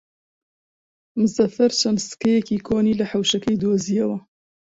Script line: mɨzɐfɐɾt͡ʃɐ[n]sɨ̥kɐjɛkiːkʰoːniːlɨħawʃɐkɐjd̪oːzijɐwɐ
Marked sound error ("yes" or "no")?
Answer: no